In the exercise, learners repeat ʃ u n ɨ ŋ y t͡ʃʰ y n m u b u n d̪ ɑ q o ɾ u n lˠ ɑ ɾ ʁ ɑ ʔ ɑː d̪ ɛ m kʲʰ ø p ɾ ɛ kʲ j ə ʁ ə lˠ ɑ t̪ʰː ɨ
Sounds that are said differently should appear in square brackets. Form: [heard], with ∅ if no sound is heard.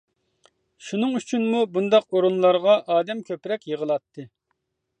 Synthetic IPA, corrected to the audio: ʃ u n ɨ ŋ y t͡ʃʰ y n m u b u n d̪ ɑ q o ɾ u n lˠ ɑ ɾ ʁ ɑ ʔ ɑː d̪ ɛ m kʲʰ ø p ɾ ɛ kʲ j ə ʁ ə lˠ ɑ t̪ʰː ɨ